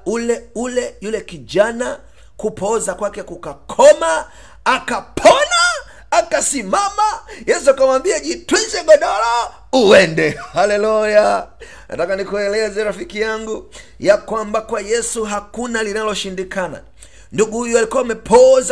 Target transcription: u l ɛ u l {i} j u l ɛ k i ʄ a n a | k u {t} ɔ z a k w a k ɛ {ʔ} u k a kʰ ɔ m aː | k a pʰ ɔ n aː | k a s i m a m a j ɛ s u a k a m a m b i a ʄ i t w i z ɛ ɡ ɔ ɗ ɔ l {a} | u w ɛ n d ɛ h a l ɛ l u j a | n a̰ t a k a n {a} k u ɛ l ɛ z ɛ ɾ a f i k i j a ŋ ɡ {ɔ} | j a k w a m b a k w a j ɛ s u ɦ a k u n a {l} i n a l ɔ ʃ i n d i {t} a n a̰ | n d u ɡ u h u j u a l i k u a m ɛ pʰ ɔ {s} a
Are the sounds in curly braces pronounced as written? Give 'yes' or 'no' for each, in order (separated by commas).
no, no, no, yes, no, no, yes, no, no